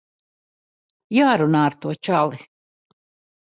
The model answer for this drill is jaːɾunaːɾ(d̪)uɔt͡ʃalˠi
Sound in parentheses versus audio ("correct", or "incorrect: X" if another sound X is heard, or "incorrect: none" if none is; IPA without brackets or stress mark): incorrect: t̪